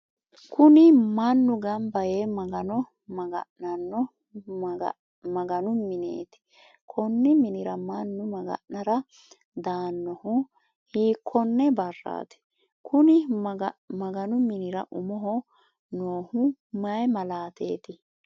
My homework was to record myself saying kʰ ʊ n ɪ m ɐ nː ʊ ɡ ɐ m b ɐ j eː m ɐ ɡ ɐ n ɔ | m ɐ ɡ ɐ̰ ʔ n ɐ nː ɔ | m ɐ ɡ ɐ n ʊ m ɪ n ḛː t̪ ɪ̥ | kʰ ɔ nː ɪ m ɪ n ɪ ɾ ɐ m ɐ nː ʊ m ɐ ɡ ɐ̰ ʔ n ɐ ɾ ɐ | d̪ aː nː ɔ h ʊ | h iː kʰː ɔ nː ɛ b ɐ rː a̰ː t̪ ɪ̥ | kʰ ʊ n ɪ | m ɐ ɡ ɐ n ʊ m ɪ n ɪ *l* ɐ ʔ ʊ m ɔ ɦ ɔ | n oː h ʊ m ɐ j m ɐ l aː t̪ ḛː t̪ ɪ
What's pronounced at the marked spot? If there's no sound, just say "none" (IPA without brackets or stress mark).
ɾ